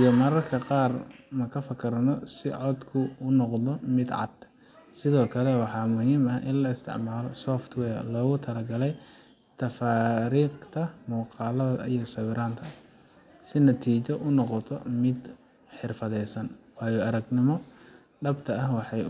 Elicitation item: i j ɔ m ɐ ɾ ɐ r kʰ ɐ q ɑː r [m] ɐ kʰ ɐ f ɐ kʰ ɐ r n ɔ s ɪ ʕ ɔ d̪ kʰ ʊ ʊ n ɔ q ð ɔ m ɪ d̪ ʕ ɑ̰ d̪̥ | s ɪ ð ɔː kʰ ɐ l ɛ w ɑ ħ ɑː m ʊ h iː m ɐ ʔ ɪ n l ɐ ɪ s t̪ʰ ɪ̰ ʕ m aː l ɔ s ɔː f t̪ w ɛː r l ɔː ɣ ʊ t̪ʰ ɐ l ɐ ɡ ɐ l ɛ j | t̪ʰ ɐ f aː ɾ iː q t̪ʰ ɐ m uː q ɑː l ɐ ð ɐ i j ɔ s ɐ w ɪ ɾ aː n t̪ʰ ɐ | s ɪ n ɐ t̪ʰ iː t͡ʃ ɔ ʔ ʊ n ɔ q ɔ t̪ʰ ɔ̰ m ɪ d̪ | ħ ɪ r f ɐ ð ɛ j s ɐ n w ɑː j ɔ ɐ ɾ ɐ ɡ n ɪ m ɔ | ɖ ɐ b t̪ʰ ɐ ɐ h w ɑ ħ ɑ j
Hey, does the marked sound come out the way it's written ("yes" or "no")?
yes